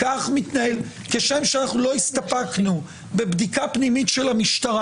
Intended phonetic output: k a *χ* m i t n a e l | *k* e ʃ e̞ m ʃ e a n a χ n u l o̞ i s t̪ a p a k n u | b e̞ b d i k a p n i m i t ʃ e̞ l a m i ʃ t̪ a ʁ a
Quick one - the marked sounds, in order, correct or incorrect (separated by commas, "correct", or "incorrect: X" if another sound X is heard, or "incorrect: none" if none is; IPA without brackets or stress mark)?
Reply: correct, correct